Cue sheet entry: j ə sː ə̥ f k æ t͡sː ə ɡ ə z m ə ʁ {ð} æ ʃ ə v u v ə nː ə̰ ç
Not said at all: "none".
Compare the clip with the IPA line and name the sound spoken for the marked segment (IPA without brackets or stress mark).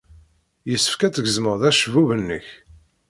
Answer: ð